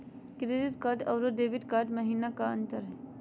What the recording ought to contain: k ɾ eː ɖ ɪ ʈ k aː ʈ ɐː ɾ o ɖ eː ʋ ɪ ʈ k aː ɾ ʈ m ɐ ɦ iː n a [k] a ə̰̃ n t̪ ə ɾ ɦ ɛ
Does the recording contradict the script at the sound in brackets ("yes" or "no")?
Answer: no